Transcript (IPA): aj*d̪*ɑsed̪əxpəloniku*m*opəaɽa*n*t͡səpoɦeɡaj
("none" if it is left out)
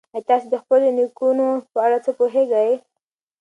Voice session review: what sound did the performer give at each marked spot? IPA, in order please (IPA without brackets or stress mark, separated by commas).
t̪, n, none